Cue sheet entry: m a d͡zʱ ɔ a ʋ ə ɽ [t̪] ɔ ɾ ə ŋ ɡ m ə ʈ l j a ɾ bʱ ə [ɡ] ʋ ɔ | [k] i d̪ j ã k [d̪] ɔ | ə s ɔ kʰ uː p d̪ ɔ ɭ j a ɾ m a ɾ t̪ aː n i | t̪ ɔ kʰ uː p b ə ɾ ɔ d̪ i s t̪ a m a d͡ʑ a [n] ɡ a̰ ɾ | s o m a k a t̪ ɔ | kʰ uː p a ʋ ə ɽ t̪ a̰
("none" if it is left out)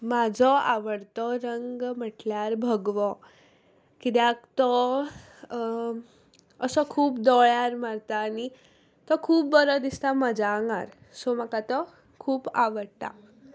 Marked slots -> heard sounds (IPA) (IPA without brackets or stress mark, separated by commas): t̪, ɡ, k, t̪, ŋ